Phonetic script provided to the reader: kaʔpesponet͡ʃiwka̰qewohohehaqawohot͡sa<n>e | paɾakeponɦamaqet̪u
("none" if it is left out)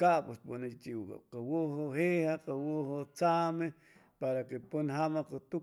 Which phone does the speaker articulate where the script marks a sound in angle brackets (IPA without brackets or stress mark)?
m